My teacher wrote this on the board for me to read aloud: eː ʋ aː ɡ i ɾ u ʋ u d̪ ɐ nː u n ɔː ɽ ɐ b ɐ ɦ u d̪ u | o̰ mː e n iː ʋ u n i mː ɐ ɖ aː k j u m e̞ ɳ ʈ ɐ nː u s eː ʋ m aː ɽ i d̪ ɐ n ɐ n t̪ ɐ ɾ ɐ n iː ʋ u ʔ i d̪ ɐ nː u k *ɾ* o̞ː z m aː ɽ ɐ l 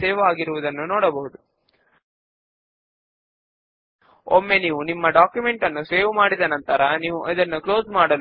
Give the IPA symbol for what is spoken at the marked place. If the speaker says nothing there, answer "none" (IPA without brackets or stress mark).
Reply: l